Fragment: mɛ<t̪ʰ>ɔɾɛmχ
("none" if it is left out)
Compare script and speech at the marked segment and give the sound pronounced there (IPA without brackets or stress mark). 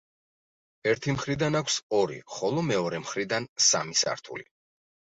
none